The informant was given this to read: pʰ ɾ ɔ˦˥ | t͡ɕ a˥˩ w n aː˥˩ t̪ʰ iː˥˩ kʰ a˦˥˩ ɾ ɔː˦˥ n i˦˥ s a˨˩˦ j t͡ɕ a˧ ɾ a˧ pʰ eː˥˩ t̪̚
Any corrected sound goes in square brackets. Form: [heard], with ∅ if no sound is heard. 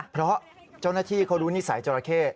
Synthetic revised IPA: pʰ ɾ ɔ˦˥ | t͡ɕ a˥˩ w n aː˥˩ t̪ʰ iː˥˩ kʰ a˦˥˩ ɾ [uː˦˥] n i˦˥ s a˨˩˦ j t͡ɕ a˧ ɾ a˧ [kʰ] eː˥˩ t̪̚